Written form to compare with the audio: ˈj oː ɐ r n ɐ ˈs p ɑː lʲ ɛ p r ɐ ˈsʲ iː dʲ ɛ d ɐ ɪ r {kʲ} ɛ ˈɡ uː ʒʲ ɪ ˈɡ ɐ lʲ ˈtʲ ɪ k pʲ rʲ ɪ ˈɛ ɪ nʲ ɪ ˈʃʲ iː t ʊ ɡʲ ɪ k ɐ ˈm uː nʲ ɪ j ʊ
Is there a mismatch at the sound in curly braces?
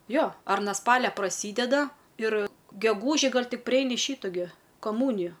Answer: yes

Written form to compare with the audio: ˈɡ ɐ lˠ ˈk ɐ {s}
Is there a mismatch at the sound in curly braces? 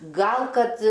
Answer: yes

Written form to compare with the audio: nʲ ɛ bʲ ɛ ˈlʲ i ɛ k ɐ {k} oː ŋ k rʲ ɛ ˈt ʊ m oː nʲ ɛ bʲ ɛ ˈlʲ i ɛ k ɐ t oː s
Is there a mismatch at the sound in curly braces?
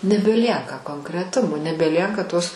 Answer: no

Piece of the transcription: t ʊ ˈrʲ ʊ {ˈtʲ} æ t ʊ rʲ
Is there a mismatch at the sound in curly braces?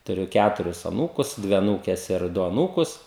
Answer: yes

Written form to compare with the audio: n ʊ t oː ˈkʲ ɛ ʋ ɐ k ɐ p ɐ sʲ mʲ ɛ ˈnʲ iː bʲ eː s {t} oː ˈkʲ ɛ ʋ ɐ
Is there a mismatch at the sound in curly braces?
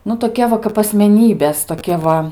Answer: no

